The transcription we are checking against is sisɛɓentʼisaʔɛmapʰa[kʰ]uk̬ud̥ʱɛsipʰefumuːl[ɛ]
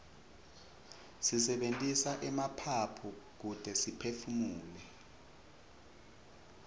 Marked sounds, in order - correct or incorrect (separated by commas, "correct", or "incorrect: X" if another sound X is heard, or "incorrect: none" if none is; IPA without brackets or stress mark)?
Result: incorrect: pʰ, correct